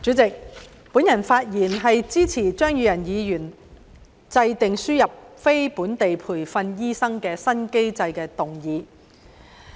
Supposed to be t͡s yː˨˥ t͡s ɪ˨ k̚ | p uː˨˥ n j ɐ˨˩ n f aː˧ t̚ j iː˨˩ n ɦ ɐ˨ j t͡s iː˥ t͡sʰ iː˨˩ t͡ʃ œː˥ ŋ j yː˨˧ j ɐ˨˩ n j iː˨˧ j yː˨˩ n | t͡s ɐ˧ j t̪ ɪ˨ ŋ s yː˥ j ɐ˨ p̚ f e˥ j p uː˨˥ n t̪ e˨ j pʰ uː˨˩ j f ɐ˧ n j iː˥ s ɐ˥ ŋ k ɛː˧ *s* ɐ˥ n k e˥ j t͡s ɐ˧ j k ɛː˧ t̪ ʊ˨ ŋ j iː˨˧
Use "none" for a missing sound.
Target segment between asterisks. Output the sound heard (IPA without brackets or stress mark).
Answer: s